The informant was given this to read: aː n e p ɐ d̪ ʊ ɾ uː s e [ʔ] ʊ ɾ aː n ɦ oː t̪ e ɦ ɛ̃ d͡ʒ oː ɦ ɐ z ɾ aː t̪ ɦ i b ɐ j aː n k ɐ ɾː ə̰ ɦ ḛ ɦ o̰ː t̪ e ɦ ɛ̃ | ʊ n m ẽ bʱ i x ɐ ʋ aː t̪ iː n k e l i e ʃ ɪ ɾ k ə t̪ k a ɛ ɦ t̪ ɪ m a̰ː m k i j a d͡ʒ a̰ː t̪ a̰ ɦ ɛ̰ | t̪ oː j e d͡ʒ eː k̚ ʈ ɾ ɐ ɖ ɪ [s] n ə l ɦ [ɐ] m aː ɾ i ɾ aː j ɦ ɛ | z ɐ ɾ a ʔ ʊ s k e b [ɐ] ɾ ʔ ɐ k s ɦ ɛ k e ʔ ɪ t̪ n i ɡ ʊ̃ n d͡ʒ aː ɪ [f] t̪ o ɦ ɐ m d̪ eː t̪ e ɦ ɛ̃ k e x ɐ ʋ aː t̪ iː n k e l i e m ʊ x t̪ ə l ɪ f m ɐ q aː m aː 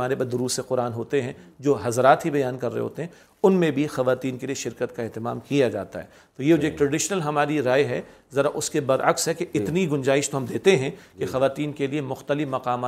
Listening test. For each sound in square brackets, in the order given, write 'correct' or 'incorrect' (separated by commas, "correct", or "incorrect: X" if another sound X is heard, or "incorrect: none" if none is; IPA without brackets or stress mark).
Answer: incorrect: q, incorrect: ʃ, correct, correct, incorrect: ʃ